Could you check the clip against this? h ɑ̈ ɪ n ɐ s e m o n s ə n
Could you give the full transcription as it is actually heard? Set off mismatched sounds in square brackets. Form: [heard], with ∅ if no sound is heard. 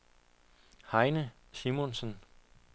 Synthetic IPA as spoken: h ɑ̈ ɪ n [ə] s [i] m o n s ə n